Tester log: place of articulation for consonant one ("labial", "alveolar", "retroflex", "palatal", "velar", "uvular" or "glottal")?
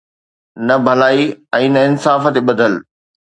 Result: alveolar